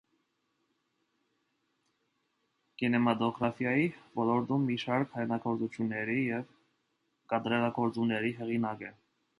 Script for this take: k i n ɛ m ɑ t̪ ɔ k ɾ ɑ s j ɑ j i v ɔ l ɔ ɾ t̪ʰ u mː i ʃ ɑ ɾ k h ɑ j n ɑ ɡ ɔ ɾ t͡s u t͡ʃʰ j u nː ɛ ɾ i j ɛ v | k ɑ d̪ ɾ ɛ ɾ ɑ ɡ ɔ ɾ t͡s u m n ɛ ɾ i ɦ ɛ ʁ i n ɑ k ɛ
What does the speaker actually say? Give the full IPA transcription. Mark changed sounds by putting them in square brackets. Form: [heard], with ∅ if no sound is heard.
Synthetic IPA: k i n ɛ m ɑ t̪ ɔ [ɡ] ɾ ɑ [f] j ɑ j i v ɔ l ɔ ɾ [t̪] u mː i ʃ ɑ ɾ k h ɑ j n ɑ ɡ ɔ ɾ t͡s u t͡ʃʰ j u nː ɛ ɾ i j ɛ v | k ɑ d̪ ɾ ɛ ɾ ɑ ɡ ɔ ɾ t͡s u m n ɛ ɾ i ɦ ɛ ʁ i n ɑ k ɛ